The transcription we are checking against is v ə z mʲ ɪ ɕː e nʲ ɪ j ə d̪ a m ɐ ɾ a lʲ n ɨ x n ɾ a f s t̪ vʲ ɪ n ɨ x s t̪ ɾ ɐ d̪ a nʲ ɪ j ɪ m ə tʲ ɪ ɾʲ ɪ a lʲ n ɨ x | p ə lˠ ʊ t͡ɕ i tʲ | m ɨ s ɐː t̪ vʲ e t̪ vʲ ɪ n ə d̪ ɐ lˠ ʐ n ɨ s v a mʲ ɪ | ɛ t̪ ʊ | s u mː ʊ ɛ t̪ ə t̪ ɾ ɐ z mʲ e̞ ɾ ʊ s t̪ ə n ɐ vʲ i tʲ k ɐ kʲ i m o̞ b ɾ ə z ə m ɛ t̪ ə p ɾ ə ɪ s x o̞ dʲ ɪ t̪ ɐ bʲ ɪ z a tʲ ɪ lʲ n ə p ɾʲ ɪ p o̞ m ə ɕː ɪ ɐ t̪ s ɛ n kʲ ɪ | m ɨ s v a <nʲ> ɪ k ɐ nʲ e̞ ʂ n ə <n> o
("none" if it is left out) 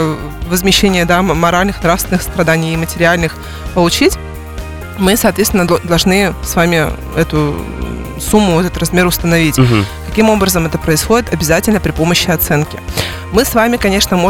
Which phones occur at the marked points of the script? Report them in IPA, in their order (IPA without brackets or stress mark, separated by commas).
mʲ, m